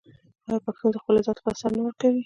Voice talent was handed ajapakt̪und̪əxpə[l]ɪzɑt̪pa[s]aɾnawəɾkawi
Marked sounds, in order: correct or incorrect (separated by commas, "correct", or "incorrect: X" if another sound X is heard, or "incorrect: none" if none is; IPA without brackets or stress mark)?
correct, correct